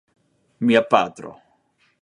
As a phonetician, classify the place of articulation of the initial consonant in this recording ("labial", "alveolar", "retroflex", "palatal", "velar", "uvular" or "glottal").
labial